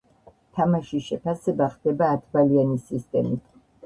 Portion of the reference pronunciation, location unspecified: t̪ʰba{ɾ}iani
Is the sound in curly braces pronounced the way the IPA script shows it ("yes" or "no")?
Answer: no